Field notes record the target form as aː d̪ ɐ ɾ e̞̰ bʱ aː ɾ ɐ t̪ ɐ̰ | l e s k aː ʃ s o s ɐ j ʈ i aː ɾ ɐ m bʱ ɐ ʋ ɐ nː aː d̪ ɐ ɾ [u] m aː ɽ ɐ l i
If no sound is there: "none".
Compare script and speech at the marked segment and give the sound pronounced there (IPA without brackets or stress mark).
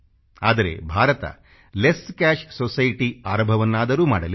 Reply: uː